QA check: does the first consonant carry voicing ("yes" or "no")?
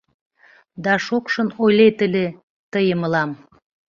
yes